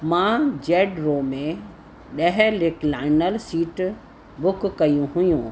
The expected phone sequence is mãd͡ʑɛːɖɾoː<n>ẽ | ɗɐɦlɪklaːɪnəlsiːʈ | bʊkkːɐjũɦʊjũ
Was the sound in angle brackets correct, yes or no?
no